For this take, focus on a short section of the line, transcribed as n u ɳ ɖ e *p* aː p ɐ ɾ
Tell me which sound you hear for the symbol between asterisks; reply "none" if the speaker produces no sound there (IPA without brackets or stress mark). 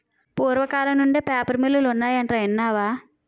p